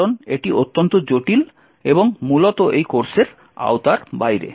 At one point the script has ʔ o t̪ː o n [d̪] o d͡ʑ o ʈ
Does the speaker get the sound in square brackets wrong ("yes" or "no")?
yes